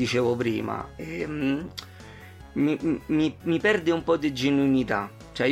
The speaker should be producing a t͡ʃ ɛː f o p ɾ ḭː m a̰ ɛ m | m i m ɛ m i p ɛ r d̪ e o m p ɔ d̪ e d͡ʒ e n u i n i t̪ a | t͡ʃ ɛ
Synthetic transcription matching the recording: i t͡ʃ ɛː v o p ɾ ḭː m a̰ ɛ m | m i m i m i p ɛ r d̪ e u m p ɔ d̪ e d͡ʒ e n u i n i t̪ a | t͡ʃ ɛ